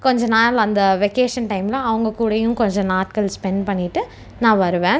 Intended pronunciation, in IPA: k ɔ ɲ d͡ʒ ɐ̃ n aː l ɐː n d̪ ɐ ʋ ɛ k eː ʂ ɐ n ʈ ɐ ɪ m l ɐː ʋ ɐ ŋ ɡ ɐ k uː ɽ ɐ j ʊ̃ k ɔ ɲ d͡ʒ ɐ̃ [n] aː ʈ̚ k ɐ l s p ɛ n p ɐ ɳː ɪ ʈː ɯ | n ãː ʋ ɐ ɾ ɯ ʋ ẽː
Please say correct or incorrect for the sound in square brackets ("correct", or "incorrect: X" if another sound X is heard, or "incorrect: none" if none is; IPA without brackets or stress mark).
correct